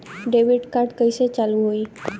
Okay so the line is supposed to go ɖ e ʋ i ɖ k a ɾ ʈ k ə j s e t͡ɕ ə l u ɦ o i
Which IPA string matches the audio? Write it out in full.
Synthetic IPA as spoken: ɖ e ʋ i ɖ k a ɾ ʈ k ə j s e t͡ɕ a l u ɦ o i